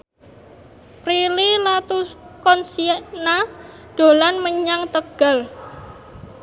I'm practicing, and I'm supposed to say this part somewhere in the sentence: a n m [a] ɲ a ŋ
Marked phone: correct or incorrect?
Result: incorrect